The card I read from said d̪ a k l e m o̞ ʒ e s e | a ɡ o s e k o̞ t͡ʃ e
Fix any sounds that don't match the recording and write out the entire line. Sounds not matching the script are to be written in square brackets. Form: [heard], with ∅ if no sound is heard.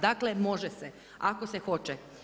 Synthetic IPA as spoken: d̪ a k l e m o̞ ʒ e s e | a [k] o s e [x] o̞ t͡ʃ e